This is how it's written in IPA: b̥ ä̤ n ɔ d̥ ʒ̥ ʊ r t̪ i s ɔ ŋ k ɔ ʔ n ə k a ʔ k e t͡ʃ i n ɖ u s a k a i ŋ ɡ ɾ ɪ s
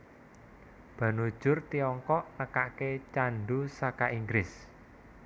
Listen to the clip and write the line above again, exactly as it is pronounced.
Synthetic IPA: b̥ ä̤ n u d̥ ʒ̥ ʊ r t̪ i ɔ ŋ k ɔ ʔ n ə k a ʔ k e t͡ʃ a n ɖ u s a k a i ŋ ɡ ɾ ɪ s